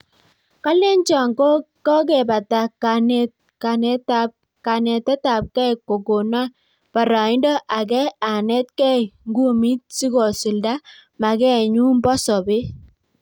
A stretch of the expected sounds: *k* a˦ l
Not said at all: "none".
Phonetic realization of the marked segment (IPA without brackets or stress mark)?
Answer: k